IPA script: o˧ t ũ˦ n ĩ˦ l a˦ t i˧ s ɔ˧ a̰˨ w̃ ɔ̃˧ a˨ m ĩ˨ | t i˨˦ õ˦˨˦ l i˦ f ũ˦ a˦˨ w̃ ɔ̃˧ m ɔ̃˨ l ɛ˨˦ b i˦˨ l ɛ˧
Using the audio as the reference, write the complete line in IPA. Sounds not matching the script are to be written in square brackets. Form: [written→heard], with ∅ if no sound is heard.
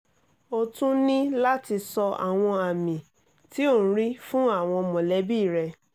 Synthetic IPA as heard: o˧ t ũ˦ n ĩ˦ l a˦ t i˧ s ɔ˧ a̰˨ w̃ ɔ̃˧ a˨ m ĩ˨ | t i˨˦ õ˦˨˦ [l→ɾ] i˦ f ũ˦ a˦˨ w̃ ɔ̃˧ m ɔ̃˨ l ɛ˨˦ b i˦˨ [l→ɾ] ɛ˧